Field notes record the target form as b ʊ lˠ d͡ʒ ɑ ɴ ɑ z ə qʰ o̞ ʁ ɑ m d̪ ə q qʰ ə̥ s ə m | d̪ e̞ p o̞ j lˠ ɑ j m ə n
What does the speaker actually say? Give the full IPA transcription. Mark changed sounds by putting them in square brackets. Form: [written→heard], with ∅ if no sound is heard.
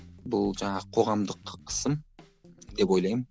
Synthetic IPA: b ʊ lˠ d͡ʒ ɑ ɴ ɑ [z→ʁ] ə qʰ o̞ ʁ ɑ m d̪ ə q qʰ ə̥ s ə m | d̪ e̞ p o̞ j lˠ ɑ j m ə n